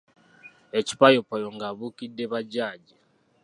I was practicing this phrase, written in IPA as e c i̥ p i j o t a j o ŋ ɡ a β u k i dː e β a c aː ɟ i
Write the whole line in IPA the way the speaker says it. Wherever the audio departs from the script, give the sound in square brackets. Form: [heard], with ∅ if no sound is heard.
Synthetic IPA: e c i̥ p [a] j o [p] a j o ŋ ɡ a β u k i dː e β a [ɟ] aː ɟ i